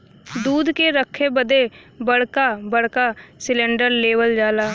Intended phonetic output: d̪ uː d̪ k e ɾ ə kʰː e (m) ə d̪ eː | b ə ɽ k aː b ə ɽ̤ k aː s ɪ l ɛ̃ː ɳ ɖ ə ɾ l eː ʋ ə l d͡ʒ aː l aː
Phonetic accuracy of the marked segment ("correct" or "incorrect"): incorrect